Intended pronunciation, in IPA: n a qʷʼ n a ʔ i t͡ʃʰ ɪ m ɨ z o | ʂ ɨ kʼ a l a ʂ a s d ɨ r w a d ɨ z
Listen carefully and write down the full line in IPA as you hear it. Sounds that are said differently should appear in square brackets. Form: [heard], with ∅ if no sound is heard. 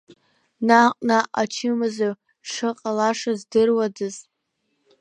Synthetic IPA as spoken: n a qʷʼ n a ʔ [a] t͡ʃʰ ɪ m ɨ z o | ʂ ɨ [qʼ] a l a ʂ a [z] d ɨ r w a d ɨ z